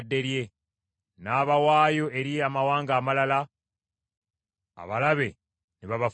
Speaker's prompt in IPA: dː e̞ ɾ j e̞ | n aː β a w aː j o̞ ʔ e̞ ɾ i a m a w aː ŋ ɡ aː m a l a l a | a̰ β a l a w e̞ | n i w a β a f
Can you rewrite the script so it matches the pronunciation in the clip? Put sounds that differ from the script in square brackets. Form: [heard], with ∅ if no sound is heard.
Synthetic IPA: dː e̞ ɾ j e̞ | n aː β a w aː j o̞ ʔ e̞ ɾ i a m a w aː ŋ ɡ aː m a l a l a | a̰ β a l a [β] e̞ | n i [β] a β a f

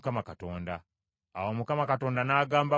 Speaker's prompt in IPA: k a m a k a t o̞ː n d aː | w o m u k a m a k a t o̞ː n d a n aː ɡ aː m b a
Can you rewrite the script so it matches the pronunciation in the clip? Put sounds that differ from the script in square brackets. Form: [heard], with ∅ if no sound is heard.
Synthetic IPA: k a m a k a t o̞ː n d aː | w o m u k a m a k a t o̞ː n d a n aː ɡ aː m b a

